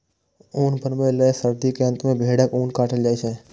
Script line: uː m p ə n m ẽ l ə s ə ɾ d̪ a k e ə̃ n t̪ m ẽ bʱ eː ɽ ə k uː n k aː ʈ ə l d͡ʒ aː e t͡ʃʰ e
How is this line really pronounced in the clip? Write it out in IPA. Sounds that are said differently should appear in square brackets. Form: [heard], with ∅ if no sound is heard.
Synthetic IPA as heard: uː [n] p ə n m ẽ l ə s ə ɾ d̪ [i] k e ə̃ n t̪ m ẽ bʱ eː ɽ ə k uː n k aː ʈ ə l d͡ʒ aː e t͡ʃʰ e